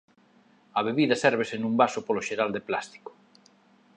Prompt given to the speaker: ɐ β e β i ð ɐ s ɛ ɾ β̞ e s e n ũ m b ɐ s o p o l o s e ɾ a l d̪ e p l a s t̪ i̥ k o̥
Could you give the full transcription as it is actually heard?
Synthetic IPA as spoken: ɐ β e β i ð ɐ s ɛ ɾ β̞ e s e n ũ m b a s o p o l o ʃ e ɾ a l d̪ e p l a s t̪ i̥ k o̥